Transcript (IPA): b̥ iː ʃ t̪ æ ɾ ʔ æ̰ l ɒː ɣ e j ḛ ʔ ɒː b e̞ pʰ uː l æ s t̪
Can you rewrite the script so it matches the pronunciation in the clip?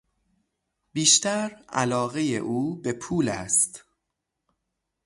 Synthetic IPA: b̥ iː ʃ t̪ æ ɾ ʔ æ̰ l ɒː ɣ e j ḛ ʔ uː b e̞ pʰ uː l æ s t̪